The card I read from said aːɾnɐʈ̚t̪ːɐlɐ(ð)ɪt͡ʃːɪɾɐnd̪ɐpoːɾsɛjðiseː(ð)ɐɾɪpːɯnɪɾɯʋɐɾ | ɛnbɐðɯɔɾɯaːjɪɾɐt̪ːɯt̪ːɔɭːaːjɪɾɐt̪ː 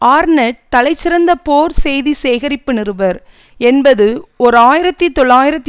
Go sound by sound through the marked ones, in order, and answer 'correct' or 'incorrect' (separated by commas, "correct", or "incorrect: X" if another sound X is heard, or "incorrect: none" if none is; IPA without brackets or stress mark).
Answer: incorrect: none, incorrect: ɣ